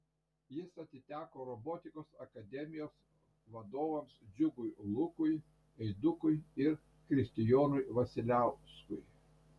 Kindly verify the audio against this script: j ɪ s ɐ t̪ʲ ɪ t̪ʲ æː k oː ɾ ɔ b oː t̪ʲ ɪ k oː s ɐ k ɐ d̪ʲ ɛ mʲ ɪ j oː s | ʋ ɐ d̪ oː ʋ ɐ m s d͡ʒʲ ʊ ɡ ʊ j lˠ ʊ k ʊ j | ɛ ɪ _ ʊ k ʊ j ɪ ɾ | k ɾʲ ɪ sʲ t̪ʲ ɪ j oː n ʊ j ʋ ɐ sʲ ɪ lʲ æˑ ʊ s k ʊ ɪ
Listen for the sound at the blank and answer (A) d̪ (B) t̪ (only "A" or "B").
A